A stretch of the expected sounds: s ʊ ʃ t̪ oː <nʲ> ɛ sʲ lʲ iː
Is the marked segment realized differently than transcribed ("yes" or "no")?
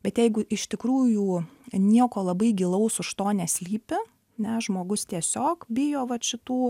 no